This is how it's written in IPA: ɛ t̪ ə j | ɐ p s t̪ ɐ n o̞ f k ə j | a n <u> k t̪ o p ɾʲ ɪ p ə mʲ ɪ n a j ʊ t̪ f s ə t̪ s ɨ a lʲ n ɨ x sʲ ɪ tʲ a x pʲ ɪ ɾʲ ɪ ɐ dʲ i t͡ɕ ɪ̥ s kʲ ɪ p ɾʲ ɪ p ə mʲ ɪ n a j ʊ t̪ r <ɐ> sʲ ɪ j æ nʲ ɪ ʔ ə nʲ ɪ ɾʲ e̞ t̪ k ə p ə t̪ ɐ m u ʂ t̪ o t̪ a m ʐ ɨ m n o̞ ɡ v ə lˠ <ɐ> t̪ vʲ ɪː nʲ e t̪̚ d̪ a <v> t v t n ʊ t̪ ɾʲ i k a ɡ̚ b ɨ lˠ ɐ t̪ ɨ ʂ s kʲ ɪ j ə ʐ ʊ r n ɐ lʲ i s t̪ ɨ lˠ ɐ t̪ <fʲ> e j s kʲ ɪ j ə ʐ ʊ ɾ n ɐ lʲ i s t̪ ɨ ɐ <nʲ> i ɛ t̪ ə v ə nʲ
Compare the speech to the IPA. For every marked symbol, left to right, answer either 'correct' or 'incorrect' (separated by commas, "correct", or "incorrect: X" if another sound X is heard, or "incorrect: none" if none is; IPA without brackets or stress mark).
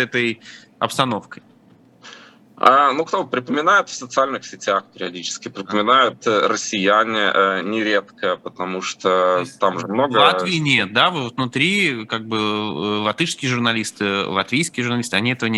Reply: correct, incorrect: ə, incorrect: a, correct, incorrect: vʲ, correct